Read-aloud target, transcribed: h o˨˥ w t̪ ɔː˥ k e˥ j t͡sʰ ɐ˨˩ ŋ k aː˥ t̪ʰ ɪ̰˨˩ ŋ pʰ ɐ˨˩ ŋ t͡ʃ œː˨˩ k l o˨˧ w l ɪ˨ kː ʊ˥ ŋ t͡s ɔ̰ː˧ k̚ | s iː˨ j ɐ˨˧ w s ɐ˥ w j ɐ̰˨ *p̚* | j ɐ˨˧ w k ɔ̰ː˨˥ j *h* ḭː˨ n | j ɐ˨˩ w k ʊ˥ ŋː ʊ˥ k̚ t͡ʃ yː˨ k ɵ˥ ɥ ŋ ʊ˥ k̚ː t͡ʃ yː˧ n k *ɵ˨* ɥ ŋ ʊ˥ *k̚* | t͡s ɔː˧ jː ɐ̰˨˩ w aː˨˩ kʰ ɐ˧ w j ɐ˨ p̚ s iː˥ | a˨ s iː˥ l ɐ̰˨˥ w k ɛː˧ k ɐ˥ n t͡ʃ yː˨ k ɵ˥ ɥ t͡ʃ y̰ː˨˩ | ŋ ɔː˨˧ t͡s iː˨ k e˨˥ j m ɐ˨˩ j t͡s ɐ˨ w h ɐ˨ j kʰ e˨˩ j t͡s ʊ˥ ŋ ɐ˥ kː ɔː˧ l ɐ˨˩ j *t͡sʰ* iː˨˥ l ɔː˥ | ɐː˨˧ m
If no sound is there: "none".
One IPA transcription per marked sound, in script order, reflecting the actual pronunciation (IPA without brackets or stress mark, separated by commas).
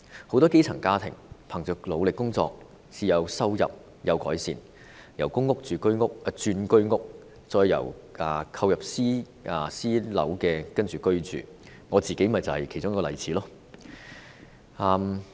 p̚, s, ɵ˥, k̚, t͡sʰ